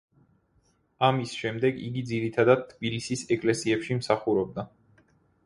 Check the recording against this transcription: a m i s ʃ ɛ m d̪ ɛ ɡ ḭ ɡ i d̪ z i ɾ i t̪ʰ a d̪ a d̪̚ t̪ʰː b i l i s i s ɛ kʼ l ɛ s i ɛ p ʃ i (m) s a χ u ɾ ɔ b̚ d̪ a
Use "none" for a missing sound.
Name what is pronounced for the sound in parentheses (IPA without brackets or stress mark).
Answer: m